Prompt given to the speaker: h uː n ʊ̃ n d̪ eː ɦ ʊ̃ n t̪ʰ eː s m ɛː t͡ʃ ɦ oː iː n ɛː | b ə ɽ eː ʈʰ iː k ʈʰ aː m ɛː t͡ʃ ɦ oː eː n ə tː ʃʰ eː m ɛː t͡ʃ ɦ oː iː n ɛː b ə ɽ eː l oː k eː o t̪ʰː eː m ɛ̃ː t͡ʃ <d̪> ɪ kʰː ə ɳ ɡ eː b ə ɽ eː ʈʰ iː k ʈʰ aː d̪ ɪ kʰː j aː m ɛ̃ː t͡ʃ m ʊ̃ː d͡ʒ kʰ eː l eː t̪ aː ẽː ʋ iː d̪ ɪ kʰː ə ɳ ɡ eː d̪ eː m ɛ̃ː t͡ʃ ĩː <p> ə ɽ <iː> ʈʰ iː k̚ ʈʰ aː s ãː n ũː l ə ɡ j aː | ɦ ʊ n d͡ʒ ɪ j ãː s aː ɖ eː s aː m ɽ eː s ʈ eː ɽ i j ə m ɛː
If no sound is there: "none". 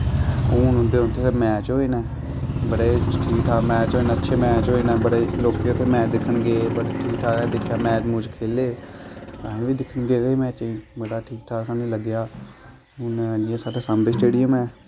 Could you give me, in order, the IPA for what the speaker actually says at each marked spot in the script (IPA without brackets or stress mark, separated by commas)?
d̪, b, aː